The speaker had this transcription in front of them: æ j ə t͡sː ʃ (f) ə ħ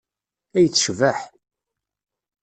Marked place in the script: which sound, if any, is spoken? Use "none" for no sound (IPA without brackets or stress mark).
v